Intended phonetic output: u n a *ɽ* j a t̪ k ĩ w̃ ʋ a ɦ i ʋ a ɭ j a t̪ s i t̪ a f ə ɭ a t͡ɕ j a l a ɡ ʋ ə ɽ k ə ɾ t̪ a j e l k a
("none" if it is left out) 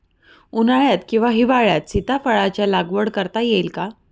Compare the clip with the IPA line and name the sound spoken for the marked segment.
ɭ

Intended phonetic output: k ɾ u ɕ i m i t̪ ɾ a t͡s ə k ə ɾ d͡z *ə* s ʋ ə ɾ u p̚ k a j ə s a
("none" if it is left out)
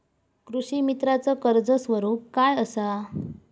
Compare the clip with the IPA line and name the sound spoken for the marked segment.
ə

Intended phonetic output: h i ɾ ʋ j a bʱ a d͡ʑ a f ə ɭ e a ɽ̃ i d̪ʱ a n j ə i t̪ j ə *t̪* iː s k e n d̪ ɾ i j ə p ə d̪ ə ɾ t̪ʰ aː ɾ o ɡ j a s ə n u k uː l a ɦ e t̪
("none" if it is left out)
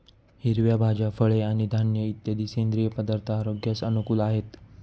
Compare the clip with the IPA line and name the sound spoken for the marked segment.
d̪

